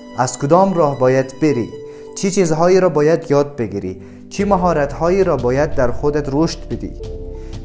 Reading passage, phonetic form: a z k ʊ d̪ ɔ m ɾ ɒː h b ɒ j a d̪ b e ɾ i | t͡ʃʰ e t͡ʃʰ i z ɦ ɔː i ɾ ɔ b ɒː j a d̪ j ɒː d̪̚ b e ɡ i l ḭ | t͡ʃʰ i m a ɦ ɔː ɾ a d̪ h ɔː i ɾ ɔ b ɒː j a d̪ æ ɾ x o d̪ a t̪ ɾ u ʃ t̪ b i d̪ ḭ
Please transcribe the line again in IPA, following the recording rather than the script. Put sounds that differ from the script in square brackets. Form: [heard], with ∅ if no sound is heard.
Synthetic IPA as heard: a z k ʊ d̪ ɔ m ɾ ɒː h b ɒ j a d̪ b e ɾ i | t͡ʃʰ [i] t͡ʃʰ i z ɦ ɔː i ɾ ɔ b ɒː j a d̪ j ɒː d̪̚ b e ɡ i [ɾ] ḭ | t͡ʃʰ i m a ɦ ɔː ɾ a [t̪] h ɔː i ɾ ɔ b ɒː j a [d̪ː] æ ɾ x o d̪ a t̪ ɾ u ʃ t̪ b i d̪ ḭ